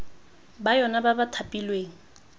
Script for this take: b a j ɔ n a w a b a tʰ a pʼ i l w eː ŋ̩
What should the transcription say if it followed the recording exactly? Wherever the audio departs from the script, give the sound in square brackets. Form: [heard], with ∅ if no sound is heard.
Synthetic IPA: b a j ɔ n a [b] a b a tʰ a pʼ i l w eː ŋ̩